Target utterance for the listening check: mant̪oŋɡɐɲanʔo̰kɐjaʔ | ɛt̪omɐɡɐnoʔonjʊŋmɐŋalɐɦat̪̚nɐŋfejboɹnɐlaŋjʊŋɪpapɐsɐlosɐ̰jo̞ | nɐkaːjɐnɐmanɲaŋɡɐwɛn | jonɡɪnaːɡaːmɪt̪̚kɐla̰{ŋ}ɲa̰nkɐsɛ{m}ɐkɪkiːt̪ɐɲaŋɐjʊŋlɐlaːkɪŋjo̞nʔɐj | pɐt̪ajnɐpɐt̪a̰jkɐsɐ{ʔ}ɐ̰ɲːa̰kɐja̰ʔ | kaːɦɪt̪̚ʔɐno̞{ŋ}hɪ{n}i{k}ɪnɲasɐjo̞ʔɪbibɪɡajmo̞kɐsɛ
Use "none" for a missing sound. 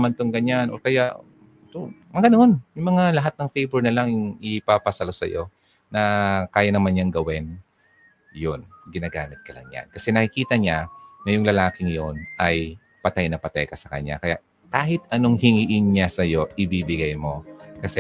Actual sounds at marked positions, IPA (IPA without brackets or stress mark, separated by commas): ŋ, n, k, ŋ, ŋ, ʔ